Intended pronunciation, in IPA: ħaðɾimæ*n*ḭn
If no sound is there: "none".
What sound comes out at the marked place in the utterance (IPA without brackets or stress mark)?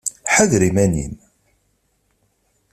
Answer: n